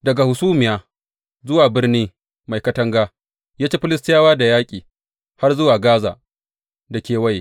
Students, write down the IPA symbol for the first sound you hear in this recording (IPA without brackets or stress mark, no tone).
d